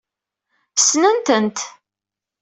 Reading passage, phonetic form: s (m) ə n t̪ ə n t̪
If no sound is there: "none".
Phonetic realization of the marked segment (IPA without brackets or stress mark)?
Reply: n